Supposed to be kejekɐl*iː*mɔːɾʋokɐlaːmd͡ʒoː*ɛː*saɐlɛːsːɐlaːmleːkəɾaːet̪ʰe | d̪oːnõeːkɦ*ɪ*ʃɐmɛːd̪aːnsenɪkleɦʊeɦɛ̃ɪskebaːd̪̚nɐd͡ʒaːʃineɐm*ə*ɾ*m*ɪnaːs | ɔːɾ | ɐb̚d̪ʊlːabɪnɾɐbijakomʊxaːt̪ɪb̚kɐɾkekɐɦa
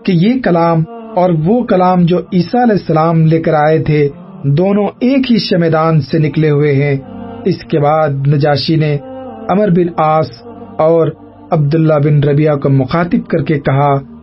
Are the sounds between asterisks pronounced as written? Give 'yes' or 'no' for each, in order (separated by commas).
no, no, no, yes, no